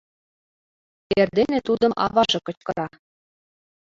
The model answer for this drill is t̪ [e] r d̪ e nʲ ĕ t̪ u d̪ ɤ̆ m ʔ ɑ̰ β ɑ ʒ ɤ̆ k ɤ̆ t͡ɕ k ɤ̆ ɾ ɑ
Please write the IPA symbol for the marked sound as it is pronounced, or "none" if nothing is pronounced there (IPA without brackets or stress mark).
e